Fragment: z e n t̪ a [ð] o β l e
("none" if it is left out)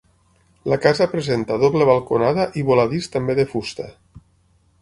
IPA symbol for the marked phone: ð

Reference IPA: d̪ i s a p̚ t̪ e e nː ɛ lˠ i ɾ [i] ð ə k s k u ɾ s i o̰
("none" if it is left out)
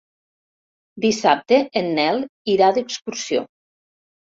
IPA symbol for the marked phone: a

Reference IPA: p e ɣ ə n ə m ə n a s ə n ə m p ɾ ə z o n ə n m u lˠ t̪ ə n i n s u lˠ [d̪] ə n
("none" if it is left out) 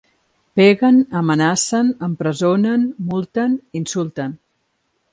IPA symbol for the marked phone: t̪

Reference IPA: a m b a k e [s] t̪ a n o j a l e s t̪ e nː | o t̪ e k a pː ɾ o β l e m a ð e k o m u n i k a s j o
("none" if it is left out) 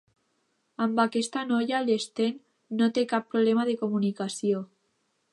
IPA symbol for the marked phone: s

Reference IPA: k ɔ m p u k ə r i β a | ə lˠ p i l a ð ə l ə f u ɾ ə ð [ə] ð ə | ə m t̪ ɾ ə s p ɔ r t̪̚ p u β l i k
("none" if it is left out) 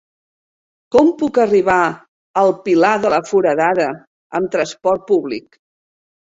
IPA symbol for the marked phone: a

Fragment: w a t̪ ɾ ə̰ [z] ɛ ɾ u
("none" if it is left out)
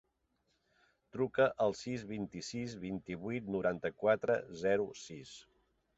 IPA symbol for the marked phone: z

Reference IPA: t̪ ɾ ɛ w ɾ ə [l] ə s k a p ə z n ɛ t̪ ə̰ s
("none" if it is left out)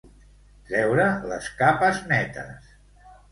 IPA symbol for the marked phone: l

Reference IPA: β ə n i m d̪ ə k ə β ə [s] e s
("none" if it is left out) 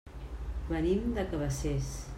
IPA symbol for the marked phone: s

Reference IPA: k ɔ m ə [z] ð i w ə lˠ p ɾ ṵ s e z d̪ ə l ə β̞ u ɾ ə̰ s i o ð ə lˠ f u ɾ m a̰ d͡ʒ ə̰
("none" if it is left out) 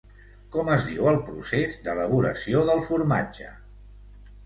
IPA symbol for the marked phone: z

